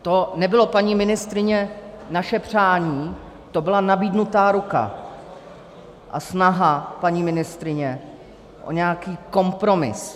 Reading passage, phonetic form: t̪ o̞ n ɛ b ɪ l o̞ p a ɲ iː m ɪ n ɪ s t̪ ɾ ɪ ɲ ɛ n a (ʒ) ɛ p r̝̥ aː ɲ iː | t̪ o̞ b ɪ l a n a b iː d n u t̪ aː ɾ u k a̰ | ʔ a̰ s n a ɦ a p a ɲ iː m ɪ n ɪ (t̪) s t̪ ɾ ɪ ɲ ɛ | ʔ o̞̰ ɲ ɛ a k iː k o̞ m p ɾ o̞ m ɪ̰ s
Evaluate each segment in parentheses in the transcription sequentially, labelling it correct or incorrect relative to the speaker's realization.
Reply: incorrect, incorrect

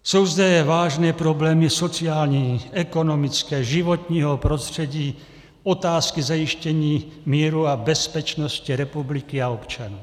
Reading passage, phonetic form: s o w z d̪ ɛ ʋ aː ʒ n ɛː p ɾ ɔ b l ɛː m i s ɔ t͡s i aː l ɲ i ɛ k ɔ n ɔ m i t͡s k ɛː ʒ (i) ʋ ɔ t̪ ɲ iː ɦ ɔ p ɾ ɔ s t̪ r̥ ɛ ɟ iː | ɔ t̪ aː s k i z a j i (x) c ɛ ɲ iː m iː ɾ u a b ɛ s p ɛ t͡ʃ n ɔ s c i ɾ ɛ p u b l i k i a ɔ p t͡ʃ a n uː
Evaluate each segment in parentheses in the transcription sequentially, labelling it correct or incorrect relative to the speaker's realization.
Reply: correct, incorrect

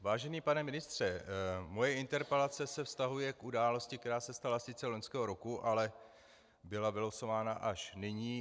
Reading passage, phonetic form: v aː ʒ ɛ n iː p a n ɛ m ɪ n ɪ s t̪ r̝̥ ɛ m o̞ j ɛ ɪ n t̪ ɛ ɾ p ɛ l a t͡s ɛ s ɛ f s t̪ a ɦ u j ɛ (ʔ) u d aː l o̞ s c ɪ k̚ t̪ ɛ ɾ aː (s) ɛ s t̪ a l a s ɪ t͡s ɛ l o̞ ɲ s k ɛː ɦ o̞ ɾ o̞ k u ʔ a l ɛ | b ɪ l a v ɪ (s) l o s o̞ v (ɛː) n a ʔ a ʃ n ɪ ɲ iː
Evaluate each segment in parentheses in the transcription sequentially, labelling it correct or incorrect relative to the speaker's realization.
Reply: incorrect, correct, incorrect, incorrect

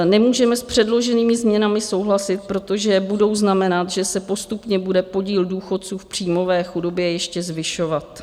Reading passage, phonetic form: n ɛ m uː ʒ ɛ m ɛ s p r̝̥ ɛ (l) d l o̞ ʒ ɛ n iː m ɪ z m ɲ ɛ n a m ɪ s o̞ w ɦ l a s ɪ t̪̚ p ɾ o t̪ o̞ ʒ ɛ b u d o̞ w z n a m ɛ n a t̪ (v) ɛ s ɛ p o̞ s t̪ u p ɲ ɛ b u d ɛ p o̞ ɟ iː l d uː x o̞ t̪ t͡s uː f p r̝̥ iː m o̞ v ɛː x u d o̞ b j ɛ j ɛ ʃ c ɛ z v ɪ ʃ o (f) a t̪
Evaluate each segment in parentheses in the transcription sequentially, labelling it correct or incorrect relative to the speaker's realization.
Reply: incorrect, incorrect, incorrect

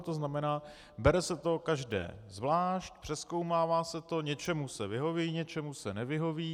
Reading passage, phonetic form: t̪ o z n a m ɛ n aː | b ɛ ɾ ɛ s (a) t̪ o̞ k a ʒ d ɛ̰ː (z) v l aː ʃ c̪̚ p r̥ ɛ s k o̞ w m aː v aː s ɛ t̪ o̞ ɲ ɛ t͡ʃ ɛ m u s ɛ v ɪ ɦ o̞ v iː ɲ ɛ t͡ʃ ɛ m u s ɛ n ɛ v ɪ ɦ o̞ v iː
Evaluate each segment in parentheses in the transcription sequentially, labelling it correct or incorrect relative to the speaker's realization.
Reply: incorrect, correct

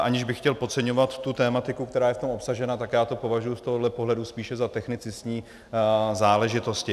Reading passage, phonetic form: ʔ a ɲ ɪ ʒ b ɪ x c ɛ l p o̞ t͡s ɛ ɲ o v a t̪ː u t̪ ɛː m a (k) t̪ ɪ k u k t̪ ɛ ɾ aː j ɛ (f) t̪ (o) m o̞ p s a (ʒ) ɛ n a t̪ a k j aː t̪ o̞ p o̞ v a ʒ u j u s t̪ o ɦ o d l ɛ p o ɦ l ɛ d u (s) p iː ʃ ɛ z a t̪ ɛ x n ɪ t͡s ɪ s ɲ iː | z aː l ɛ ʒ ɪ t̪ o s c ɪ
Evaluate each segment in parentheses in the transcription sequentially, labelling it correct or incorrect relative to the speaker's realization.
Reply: incorrect, correct, correct, correct, correct

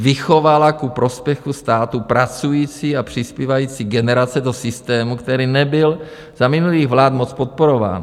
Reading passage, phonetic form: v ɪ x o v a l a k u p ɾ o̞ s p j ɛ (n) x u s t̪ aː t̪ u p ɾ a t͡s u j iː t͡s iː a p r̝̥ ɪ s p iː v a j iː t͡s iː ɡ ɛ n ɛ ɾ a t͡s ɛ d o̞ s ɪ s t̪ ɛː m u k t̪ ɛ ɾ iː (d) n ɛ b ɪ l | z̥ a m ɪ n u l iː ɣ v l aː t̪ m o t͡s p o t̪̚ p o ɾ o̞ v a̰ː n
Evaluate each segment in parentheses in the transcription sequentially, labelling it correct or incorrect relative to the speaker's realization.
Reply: incorrect, incorrect

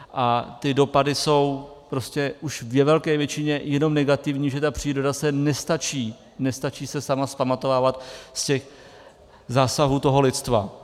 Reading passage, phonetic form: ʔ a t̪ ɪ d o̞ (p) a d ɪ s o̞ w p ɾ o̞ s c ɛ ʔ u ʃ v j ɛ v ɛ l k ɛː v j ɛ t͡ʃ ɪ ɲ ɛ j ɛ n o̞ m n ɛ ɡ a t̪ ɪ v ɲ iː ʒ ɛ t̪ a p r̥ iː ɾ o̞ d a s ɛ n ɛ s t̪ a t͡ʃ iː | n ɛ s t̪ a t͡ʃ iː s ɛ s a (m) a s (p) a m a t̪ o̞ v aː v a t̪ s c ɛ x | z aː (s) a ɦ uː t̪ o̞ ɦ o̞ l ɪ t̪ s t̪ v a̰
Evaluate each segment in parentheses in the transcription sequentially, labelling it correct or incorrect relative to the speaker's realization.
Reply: correct, correct, correct, correct

